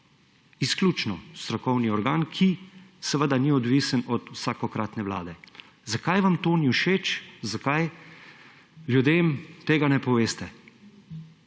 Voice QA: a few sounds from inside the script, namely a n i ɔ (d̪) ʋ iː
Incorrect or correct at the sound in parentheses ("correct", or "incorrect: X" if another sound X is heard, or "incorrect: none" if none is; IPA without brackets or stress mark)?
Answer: correct